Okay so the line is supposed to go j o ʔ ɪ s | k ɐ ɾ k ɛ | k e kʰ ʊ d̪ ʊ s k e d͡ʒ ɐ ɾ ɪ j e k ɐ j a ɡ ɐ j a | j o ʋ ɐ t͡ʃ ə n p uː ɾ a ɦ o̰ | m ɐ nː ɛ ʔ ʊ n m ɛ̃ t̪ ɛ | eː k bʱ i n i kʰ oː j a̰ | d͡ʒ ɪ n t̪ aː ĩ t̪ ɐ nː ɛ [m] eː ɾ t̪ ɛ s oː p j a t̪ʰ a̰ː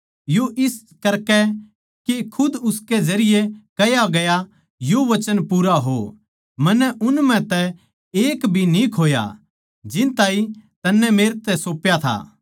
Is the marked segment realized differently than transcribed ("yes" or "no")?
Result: no